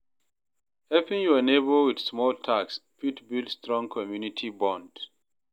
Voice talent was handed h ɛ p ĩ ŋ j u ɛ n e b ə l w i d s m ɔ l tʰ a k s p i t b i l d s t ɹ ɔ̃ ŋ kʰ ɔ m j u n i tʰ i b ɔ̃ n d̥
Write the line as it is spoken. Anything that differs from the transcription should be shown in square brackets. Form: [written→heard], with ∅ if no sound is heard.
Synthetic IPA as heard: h ɛ p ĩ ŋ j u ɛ n e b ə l w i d s m ɔ l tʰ a k s p i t b i l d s t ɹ ɔ̃ ŋ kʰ ɔ m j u n i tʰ i b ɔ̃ n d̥